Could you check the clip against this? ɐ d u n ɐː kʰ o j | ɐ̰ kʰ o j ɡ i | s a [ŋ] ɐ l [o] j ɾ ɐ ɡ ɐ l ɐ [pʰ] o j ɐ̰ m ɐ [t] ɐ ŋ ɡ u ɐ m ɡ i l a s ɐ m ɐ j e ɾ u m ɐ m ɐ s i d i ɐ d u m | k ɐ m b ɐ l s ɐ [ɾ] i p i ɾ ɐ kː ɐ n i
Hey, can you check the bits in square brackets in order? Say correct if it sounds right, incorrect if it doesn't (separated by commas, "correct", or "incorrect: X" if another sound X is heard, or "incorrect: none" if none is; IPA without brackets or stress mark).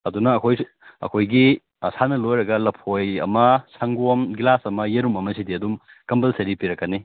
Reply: incorrect: n, correct, correct, incorrect: s, correct